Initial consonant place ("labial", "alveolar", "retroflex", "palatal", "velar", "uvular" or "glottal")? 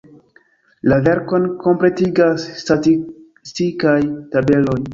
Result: alveolar